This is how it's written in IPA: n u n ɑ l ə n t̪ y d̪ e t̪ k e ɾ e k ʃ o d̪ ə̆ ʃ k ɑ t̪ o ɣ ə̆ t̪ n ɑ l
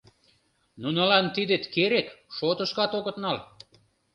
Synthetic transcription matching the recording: n u n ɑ l ɑ n t̪ i d̪ e t̪ k e ɾ e k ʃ o t̪ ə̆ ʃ k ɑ t̪ o ɣ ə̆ t̪ n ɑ l